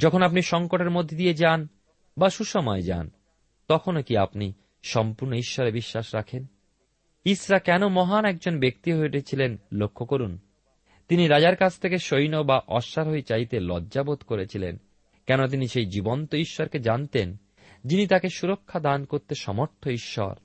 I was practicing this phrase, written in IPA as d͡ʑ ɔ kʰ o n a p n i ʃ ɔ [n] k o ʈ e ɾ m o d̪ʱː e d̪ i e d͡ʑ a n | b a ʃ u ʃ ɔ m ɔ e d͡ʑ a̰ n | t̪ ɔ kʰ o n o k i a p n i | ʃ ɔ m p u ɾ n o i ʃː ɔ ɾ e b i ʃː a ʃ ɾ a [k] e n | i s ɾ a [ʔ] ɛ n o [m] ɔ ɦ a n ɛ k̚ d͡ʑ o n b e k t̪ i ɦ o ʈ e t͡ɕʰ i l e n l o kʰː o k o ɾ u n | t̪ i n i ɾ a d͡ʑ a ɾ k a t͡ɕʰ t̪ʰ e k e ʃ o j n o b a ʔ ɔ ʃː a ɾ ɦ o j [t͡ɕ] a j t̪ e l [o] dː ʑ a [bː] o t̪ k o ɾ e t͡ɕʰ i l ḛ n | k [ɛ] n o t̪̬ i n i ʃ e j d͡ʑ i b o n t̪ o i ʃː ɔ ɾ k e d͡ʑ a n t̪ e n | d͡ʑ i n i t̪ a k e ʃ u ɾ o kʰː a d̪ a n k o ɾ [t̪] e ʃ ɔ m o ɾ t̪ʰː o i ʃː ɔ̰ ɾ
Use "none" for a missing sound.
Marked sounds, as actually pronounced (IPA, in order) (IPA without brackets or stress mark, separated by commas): ŋ, kʰ, k, m, t͡ɕ, ɔ, b, ɛ, t̪